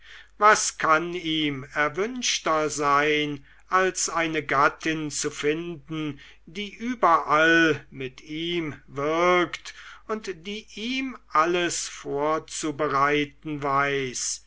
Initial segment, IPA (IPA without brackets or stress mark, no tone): v